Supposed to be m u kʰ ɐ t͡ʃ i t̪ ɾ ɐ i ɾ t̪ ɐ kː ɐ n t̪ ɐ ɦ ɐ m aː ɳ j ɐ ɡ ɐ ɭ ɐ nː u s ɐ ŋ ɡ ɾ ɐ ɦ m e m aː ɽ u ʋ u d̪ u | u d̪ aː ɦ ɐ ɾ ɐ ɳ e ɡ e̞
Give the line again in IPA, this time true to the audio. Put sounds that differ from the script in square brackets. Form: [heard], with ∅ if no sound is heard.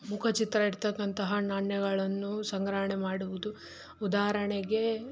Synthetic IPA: m u kʰ ɐ t͡ʃ i t̪ ɾ ɐ i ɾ t̪ ɐ kː ɐ n t̪ ɐ ɦ ɐ [n] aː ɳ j ɐ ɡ ɐ ɭ ɐ nː u s ɐ ŋ ɡ ɾ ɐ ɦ [ɳ] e m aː ɽ u ʋ u d̪ u | u d̪ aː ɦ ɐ ɾ ɐ ɳ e ɡ e̞

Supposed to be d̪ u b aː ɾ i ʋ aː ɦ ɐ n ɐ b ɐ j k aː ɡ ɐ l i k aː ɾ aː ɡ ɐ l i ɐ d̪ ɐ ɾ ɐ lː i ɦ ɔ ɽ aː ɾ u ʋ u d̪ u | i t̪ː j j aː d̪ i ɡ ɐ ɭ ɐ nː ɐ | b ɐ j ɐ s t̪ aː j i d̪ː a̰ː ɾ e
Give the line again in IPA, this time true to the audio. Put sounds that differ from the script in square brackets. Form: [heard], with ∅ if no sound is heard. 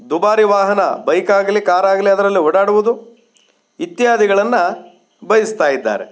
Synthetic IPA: d̪ u b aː ɾ i ʋ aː ɦ ɐ n ɐ b ɐ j k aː ɡ ɐ l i k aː ɾ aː ɡ ɐ l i ɐ d̪ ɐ ɾ ɐ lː i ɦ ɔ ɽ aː [ɽ] u ʋ u d̪ u | i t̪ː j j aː d̪ i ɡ ɐ ɭ ɐ nː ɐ | b ɐ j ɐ s t̪ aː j i d̪ː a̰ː ɾ e

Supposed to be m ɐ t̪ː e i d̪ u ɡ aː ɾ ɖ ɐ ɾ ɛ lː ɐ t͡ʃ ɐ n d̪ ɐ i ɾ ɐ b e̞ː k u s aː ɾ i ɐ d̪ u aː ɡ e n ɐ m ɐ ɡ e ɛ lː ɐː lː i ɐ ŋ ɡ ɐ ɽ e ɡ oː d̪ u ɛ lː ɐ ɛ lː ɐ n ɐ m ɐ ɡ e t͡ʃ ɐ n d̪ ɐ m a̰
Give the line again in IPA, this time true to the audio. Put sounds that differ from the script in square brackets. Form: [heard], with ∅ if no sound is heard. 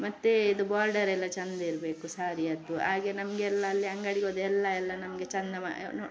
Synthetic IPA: m ɐ t̪ː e i d̪ u [b] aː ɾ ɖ ɐ ɾ ɛ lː ɐ t͡ʃ ɐ n d̪ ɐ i ɾ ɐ b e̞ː k u s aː ɾ i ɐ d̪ u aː ɡ e n ɐ m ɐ ɡ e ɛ lː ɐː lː i ɐ ŋ ɡ ɐ ɽ [i] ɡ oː d̪ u ɛ lː ɐ ɛ lː ɐ n ɐ m ɐ ɡ e t͡ʃ ɐ n d̪ ɐ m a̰

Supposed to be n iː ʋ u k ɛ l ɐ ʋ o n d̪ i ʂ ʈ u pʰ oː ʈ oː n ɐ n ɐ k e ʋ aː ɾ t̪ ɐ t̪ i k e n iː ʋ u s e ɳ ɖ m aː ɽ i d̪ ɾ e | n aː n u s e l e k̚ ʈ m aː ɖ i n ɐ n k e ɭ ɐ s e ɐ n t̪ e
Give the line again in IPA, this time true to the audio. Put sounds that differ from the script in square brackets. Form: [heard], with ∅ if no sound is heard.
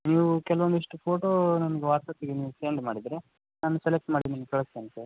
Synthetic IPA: n iː ʋ u k ɛ l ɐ ʋ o n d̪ i ʂ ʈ u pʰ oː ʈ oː n ɐ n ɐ [ɡ] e ʋ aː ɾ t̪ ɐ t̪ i [ɡ] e n iː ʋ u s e ɳ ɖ m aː ɽ i d̪ ɾ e | n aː n u s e l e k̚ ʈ m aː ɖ i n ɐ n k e ɭ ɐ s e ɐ n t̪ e

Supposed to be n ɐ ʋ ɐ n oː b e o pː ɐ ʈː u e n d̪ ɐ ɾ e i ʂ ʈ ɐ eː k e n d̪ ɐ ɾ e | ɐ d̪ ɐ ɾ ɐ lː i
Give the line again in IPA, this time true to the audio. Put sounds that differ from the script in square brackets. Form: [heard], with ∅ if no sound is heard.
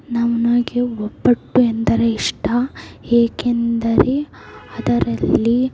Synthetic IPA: n ɐ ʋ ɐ n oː [ɡ] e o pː ɐ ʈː u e n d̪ ɐ ɾ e i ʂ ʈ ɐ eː k e n d̪ ɐ ɾ e | ɐ d̪ ɐ ɾ ɐ lː i

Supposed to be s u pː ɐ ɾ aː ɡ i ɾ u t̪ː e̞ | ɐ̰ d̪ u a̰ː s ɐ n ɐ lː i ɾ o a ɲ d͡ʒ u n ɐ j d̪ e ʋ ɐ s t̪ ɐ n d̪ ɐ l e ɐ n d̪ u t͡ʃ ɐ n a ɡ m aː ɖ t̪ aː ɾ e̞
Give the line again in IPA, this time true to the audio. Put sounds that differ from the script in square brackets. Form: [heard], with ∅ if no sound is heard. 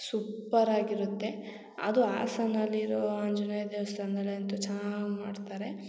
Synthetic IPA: s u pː ɐ ɾ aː ɡ i ɾ u t̪ː e̞ | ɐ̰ d̪ u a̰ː s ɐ n ɐ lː i ɾ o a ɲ d͡ʒ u n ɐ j d̪ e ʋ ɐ s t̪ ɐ n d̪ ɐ l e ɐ n [t̪] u t͡ʃ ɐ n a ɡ m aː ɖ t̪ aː ɾ e̞

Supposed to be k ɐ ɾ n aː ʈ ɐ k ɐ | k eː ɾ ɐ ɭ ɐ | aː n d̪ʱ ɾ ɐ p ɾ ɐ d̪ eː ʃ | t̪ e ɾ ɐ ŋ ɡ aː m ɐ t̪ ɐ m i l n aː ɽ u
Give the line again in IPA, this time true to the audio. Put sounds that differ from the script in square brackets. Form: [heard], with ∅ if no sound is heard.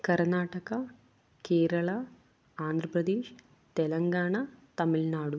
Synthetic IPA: k ɐ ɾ n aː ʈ ɐ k ɐ | k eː ɾ ɐ ɭ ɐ | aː n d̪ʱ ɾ ɐ p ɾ ɐ d̪ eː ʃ | t̪ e [l] ɐ ŋ ɡ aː [ɳ] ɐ t̪ ɐ m i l n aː ɽ u

